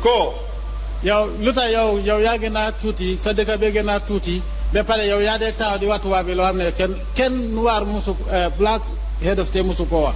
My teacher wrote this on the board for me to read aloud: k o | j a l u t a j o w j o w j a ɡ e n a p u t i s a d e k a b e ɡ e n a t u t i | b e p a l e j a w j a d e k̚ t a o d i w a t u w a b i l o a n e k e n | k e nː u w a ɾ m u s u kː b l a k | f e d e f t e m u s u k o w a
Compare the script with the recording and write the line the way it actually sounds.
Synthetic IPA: k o | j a l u t a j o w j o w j a ɡ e n a t u t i s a d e k a b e ɡ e n a t u t i | b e p a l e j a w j a d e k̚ t a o d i w a t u w a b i l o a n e k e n | k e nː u w a ɾ m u s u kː b l a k | h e d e f t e m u s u k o w a